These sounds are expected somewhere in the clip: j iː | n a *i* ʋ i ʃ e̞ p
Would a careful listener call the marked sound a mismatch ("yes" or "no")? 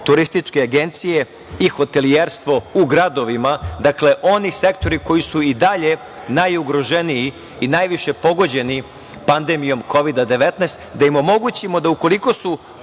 yes